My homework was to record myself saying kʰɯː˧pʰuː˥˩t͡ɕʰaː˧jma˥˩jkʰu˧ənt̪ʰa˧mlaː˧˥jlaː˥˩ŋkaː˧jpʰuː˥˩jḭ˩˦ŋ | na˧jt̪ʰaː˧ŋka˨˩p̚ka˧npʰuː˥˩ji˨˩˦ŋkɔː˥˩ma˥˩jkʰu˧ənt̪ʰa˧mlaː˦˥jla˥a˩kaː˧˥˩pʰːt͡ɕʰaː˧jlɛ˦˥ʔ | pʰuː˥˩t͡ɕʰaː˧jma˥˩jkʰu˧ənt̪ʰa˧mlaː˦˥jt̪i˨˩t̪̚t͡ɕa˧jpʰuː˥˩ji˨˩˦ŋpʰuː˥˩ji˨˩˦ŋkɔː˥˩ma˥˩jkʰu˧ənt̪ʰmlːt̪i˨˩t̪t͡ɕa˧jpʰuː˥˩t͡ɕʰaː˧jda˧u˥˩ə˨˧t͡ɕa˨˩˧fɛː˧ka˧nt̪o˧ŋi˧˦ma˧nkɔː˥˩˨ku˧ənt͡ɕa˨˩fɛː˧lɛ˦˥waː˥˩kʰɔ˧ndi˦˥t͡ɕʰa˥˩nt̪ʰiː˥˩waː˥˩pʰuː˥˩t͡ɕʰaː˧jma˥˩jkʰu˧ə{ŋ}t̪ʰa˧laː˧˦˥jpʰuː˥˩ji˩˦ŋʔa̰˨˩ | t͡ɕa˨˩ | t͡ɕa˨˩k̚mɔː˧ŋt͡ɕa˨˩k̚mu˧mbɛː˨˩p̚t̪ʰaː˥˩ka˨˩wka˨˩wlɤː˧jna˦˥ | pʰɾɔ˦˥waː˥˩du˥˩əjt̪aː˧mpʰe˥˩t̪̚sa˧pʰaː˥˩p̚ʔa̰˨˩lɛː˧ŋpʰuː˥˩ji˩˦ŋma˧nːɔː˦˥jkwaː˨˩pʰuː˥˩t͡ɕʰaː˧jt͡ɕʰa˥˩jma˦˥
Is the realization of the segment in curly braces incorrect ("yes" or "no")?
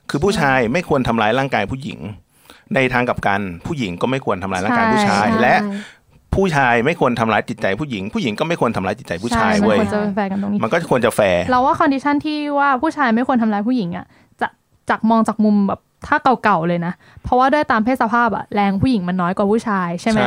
yes